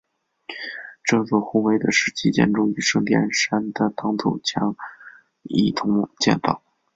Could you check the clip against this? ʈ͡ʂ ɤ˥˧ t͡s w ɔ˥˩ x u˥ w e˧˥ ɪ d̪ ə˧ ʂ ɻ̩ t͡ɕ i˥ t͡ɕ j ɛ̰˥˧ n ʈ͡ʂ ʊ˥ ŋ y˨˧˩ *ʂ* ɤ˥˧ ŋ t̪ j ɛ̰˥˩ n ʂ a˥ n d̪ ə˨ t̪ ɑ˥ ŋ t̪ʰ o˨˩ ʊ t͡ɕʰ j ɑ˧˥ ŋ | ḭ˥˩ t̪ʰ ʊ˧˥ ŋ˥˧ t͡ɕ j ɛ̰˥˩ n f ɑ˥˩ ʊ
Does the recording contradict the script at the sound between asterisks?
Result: no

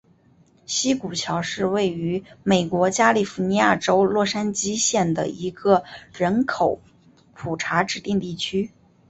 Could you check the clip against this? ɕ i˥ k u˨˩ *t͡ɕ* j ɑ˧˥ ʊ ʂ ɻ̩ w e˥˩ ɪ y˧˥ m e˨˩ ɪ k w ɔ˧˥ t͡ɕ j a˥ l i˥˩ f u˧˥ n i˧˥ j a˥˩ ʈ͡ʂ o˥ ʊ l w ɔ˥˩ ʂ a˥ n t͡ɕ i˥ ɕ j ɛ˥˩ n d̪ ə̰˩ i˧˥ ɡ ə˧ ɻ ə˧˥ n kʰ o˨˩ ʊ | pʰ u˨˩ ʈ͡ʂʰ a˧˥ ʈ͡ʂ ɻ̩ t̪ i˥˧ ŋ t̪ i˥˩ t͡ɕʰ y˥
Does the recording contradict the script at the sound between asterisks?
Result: yes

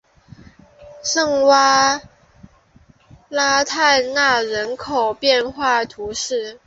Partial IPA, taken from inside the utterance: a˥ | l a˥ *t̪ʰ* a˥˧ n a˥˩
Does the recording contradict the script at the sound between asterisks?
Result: no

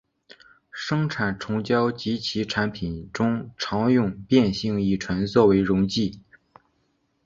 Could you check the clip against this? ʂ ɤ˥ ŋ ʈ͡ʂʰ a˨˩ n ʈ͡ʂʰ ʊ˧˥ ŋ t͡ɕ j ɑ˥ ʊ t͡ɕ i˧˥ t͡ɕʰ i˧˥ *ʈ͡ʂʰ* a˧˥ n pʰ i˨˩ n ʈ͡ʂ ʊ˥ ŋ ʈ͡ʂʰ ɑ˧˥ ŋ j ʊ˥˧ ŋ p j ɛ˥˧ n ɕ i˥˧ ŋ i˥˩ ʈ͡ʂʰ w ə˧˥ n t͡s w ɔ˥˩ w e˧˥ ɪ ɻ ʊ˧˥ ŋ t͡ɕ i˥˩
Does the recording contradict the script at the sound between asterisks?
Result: no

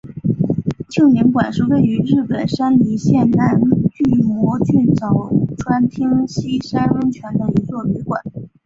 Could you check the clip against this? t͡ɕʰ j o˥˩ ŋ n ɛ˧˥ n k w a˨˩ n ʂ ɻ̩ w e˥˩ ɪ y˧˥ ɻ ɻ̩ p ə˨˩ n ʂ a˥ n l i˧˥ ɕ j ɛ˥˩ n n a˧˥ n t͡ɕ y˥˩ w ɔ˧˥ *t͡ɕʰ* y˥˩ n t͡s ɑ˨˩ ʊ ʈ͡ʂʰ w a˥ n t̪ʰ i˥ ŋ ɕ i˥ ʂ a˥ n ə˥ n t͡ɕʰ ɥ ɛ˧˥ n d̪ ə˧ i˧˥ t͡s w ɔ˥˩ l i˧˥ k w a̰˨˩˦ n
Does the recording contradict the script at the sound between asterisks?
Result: yes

